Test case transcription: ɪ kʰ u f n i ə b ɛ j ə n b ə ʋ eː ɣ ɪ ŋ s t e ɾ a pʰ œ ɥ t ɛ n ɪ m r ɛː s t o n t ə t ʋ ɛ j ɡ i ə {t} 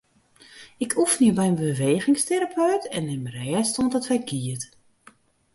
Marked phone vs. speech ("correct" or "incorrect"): correct